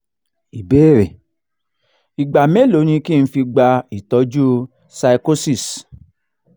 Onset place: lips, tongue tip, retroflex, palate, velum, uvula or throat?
lips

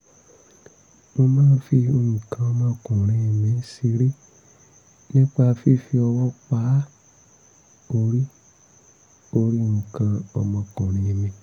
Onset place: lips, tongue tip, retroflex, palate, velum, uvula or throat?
lips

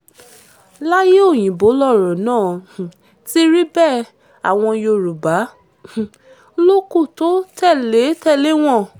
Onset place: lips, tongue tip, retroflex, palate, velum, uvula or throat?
tongue tip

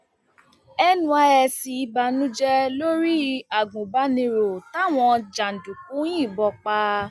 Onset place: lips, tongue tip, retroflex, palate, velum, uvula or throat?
tongue tip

